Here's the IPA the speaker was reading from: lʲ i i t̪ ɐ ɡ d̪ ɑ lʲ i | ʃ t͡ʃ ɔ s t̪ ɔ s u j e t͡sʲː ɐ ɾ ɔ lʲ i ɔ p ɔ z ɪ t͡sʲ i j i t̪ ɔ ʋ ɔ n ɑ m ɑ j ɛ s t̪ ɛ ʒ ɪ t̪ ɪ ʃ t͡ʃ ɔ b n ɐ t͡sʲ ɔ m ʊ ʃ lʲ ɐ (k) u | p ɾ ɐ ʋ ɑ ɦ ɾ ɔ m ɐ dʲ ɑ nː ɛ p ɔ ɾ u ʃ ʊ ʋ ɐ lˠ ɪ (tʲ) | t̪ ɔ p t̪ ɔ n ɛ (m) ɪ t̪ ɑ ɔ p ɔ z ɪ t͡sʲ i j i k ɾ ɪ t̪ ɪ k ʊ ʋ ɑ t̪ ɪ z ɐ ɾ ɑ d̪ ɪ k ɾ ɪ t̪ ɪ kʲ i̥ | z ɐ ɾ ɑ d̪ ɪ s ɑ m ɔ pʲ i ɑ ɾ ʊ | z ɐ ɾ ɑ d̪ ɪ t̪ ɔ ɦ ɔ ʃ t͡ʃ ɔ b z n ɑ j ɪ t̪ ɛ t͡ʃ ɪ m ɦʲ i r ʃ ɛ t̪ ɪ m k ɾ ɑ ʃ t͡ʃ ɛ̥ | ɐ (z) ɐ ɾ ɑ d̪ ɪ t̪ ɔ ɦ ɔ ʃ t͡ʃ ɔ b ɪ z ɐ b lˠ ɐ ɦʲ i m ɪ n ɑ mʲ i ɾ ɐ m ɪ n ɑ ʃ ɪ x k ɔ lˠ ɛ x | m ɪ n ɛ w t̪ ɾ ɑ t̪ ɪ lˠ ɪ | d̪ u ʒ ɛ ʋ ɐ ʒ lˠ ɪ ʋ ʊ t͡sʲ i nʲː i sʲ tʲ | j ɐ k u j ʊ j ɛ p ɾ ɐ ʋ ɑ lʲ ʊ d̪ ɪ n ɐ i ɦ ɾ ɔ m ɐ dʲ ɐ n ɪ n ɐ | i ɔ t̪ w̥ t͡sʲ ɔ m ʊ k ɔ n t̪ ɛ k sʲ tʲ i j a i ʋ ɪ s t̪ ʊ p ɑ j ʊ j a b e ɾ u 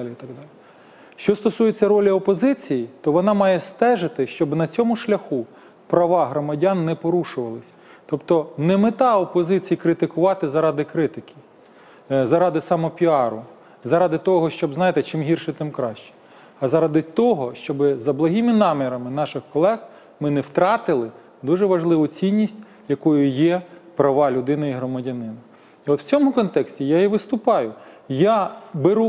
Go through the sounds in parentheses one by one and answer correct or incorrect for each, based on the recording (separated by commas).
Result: incorrect, incorrect, correct, correct